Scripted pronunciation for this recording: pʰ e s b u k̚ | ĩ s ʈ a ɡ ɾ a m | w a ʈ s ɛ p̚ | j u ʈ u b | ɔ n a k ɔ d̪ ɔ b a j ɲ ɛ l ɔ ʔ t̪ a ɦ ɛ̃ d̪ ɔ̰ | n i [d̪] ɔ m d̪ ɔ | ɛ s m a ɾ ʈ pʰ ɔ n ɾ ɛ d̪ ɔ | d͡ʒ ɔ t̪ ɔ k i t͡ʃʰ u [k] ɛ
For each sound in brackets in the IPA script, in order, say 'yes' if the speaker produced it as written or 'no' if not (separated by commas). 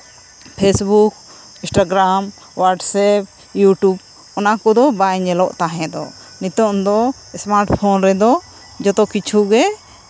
no, no